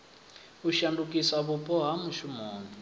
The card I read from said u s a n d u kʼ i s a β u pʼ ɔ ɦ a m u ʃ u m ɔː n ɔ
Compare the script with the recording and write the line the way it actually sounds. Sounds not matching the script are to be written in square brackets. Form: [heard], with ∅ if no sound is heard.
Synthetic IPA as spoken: u [ʃ] a n d u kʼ i s a β u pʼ ɔ ɦ a m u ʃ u m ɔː n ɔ